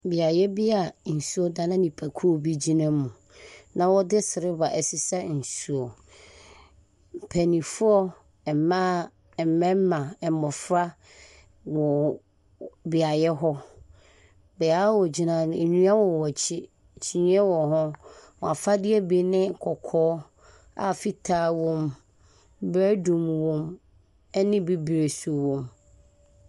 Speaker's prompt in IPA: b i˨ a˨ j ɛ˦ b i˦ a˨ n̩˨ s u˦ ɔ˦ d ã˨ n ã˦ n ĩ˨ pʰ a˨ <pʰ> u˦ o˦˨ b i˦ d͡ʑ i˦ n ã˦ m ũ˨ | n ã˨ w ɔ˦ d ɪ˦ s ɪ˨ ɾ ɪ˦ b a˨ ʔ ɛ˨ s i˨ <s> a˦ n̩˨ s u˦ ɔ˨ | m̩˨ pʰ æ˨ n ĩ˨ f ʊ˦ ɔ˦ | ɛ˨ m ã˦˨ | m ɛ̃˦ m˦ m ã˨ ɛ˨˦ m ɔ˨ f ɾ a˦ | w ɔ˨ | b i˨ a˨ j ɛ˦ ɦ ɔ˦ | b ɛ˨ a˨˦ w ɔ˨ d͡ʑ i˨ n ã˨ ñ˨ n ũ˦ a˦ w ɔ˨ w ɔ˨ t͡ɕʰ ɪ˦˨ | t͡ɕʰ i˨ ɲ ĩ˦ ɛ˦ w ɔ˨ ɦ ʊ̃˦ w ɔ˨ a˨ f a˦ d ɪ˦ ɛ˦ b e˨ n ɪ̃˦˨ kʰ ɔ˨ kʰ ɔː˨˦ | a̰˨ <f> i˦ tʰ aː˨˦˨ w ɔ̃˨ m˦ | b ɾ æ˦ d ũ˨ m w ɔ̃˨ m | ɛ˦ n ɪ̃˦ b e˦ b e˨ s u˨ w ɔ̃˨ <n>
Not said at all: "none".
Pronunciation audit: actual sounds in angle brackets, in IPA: kʰ, s, f, m

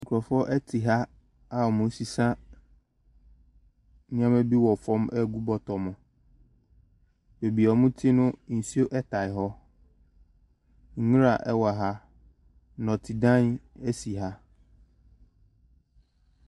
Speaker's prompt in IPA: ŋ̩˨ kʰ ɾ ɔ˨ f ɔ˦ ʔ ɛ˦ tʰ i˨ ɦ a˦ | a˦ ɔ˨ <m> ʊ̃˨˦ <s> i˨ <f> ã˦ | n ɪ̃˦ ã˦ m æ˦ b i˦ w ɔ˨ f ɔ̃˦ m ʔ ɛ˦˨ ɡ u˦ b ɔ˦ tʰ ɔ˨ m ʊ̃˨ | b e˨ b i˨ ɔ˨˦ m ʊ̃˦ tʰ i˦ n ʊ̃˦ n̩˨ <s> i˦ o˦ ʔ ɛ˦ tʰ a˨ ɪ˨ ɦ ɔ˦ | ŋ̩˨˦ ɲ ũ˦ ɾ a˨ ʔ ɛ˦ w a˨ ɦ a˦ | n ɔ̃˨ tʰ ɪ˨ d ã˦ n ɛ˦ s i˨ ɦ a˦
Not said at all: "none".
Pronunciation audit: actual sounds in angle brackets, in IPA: m, s, s, s

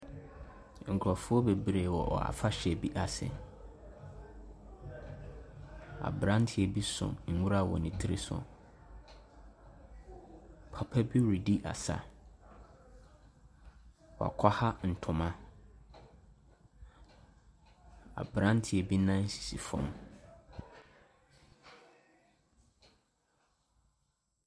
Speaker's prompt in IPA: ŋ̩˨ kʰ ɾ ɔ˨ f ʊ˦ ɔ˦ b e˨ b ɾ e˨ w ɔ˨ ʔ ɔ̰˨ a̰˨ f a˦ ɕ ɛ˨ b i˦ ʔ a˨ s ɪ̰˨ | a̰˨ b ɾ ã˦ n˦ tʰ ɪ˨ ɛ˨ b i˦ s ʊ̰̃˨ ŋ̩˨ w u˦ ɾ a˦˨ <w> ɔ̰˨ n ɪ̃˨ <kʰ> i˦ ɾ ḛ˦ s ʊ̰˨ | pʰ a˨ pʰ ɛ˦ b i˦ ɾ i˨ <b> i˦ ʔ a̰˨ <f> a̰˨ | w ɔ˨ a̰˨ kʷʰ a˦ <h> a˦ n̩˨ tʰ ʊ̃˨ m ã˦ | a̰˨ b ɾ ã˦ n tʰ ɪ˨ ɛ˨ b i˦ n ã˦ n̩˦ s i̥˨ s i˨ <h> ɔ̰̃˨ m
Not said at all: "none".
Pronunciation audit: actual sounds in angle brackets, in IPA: w, tʰ, d, s, h, f

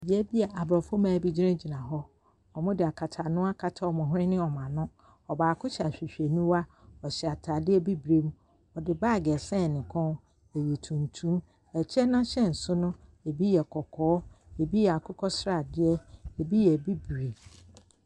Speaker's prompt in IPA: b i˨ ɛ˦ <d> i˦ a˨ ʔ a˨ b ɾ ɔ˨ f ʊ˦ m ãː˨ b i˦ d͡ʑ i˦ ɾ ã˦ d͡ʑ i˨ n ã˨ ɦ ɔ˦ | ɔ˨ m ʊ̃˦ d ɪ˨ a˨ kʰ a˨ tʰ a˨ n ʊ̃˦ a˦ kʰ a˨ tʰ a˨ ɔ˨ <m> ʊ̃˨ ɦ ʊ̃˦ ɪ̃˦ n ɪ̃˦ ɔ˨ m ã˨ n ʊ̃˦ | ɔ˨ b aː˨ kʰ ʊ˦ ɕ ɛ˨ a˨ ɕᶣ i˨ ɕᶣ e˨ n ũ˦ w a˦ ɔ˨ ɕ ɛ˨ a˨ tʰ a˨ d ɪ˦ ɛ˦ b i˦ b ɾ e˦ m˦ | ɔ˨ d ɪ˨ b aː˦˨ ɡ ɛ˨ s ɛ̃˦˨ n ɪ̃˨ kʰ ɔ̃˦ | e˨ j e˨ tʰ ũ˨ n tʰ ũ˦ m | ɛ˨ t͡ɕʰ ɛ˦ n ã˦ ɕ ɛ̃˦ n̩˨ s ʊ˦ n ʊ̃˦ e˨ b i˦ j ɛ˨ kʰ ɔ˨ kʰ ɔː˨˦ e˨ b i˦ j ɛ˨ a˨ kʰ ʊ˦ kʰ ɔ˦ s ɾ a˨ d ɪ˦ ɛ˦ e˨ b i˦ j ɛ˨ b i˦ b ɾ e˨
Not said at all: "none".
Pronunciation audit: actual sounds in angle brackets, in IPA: b, m

